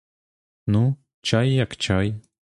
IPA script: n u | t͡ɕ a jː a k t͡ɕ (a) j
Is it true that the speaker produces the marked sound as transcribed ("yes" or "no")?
yes